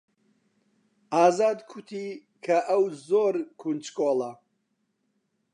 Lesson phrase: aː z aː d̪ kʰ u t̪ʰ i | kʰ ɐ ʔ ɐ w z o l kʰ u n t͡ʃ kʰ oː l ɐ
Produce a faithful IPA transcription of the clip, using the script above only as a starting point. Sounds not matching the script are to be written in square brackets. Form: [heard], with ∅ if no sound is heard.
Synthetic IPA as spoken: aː z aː d̪ kʰ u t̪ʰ i | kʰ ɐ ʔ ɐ w z o [ɾ] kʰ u n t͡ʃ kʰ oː l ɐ